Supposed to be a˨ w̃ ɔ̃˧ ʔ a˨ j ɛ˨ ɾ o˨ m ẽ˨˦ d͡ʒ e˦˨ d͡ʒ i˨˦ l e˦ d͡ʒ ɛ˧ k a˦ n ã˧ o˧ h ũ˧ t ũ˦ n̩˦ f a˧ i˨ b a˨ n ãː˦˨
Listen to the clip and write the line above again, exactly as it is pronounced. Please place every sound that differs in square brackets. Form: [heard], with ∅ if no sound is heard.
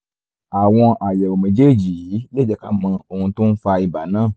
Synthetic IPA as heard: a˨ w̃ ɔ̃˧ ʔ a˨ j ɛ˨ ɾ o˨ m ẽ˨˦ d͡ʒ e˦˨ d͡ʒ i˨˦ l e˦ d͡ʒ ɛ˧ k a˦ [m] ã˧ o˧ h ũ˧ t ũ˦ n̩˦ f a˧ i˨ b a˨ n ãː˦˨